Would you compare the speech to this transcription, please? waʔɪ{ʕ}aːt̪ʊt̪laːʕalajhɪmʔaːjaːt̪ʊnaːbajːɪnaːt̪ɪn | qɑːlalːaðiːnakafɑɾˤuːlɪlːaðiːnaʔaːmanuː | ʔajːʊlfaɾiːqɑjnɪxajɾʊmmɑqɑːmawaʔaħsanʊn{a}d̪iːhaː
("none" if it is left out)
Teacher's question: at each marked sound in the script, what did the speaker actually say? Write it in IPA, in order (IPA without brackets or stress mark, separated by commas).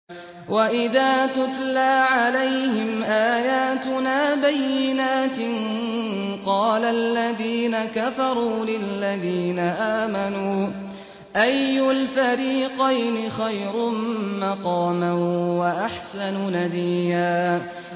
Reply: ð, a